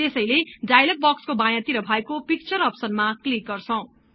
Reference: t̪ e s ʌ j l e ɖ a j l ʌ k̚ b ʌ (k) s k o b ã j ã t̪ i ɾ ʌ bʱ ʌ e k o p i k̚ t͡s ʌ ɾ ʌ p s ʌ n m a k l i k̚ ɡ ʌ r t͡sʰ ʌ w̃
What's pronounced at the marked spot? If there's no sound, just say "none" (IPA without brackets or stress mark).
k